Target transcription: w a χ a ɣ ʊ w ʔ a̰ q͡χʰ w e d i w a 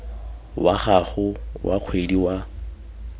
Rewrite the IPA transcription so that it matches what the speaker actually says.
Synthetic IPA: w a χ a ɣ ʊ w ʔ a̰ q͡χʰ w e d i w a

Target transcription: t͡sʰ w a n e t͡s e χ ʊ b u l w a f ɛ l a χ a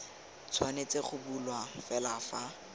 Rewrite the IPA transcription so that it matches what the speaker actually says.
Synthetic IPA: t͡sʰ w a n e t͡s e χ ʊ b u l w a f ɛ l a f a

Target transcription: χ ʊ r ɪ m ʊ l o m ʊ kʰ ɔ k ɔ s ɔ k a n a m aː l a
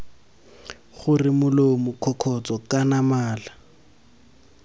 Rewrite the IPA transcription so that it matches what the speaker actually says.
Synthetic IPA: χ ʊ r ɪ m ʊ l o m ʊ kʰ ɔ kʰ ɔ t͡s ɔ k a n a m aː l a

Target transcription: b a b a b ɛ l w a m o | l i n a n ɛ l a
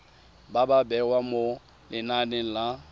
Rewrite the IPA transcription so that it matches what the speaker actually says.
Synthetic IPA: b a b a b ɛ w a m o | l ɪ n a n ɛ l a

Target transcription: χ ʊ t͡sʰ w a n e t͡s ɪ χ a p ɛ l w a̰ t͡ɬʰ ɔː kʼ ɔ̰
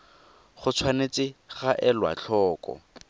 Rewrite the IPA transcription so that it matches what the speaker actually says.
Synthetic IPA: χ ʊ t͡sʰ w a n e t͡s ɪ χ a ʔ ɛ l w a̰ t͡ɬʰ ɔː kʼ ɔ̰

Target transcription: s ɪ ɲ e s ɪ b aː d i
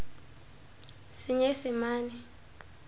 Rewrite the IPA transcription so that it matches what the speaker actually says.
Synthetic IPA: s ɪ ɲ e s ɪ m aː n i

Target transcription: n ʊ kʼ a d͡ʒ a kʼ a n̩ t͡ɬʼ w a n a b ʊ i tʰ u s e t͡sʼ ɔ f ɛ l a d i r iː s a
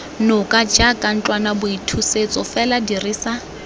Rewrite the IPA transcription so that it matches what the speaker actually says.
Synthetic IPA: n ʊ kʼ a d͡ʒ a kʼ a n̩ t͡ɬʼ w a n a b ʊ i tʰ u s e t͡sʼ ɔ f ɛ l a d i r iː s a

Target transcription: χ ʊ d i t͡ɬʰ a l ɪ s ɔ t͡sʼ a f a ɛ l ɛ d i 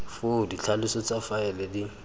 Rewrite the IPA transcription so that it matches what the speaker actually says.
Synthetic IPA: f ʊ d i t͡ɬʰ a l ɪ s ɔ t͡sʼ a f a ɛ l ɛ d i

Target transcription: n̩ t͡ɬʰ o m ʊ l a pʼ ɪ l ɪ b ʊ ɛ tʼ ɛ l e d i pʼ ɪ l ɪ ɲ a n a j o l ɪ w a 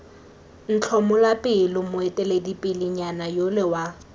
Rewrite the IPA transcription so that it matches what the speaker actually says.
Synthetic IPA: n̩ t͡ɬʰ ɔ m ʊ l a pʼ ɪ l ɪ m ʊ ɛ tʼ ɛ l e d i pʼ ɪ l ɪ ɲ a n a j o l ɪ w a

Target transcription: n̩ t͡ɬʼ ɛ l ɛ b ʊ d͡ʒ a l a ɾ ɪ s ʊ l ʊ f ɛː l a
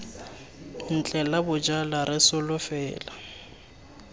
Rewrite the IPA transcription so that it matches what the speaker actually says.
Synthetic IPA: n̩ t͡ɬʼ ɛ l a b ʊ d͡ʒ a l a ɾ ɪ s ʊ l ʊ f ɛː l a

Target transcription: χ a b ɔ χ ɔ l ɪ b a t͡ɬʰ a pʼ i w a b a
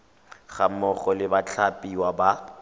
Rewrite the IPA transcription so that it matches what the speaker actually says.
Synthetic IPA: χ a m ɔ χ ɔ l ɪ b a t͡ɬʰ a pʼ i w a b a

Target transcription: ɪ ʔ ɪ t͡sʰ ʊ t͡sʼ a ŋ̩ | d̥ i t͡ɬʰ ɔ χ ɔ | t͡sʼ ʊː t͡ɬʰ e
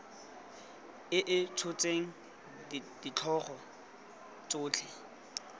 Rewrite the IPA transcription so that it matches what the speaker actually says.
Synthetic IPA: ɪ ʔ ɪ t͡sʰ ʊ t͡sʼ e ŋ̩ | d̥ i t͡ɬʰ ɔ χ ɔ | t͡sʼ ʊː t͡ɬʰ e

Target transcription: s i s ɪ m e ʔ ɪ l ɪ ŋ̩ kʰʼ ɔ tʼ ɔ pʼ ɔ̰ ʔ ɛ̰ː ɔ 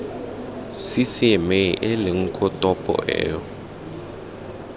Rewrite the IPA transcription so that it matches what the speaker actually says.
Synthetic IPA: s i s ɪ m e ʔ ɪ l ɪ ŋ̩ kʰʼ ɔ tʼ ɔ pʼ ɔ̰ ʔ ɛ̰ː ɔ

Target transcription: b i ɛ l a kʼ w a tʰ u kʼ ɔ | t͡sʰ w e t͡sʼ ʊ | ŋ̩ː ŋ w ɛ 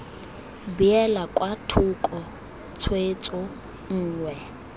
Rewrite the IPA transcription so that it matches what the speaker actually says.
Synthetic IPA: b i ɛ l a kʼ w a tʰ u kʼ ɔ | t͡sʰ w e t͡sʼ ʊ | ŋ̩ː ŋ w ɛ

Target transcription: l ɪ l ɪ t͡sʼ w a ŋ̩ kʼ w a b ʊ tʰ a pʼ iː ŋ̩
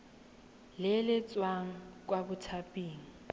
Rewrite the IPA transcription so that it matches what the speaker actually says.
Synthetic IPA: l ɪ l ɪ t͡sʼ w a ŋ̩ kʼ w a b ʊ tʰ a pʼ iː ŋ̩

